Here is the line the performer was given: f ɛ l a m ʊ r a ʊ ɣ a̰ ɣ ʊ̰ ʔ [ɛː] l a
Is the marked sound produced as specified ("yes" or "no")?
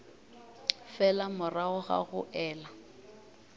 yes